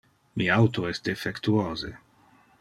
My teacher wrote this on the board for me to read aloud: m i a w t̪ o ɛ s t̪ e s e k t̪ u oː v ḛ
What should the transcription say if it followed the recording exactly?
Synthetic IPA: m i a w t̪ o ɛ s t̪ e f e k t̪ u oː z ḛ

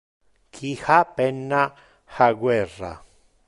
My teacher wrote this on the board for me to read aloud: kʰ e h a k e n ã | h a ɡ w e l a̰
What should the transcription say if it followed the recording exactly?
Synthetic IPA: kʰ i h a p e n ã | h a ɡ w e r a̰

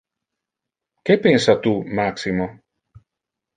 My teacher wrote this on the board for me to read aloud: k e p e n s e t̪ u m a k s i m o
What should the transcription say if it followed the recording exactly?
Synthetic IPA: k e p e n s a t̪ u m a k s i m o

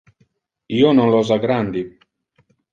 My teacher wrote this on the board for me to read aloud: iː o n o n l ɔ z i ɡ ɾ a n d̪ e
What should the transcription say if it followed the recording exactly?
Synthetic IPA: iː o n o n l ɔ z a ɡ ɾ a n d̪ i

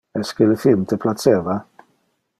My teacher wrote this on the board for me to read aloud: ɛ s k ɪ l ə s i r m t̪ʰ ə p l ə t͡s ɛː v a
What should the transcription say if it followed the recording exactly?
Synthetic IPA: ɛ s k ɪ l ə f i l m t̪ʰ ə p l a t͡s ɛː v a

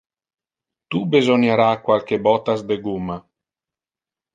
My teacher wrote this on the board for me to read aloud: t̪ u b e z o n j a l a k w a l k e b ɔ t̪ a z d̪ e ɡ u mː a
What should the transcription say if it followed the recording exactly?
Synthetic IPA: t̪ u b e z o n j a ɾ a k w a l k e b ɔ t̪ a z d̪ e ɡ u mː a

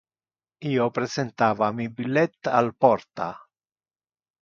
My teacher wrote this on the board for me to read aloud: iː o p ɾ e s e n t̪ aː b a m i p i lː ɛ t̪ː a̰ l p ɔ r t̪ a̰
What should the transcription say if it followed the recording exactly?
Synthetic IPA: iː o p ɾ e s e n t̪ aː v a m i b i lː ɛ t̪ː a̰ l p ɔ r t̪ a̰

